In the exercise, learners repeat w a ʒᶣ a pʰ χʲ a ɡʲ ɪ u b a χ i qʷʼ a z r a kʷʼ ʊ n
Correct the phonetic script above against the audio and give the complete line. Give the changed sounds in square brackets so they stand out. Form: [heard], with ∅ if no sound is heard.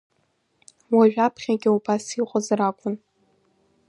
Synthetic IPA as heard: w a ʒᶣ a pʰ χʲ a ɡʲ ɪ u b a [s] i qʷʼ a z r a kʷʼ ʊ n